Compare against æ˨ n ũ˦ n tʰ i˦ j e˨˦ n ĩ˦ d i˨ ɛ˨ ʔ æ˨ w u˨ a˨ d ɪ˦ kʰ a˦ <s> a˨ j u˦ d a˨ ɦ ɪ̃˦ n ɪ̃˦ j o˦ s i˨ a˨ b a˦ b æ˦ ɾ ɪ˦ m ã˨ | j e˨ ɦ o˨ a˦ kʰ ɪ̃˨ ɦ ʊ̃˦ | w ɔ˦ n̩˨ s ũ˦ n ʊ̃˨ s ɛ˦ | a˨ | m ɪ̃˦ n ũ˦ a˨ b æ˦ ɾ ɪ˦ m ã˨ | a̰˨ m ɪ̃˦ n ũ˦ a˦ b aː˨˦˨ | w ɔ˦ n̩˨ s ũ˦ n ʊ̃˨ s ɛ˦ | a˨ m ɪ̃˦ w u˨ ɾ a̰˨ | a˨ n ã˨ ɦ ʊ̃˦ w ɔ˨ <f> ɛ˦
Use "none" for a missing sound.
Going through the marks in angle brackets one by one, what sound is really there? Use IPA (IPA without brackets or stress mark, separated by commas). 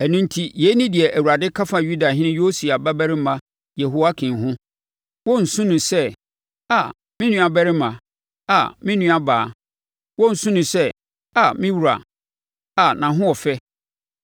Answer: f, f